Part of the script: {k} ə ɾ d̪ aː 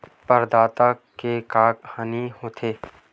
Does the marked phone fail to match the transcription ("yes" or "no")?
yes